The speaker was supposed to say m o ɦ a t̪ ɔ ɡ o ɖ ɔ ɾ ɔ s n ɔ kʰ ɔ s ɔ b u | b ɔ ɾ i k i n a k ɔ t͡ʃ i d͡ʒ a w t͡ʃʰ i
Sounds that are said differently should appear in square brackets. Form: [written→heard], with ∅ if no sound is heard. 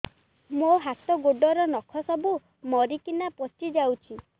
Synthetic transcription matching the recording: m o ɦ a t̪ ɔ ɡ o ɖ ɔ ɾ ɔ [s→∅] n ɔ kʰ ɔ s ɔ b u | [b→m] ɔ ɾ i k i n a [k→p] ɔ t͡ʃ i d͡ʒ a w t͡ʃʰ i